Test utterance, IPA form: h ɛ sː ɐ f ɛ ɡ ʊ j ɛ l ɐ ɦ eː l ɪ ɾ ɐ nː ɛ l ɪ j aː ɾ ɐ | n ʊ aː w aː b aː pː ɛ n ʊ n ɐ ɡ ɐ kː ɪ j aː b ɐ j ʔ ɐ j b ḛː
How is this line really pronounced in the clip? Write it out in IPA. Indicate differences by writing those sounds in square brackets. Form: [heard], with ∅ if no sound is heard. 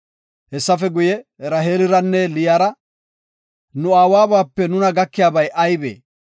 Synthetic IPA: h ɛ sː ɐ f ɛ ɡ ʊ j ɛ [ɾ] ɐ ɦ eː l ɪ ɾ ɐ nː ɛ l ɪ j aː ɾ ɐ | n ʊ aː w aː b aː pː ɛ n ʊ n ɐ ɡ ɐ kː ɪ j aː b ɐ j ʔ ɐ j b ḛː